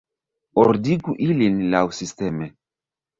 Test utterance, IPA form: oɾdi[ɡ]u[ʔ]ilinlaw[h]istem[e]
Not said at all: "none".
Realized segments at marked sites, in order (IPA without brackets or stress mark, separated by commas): ɡ, ʔ, s, e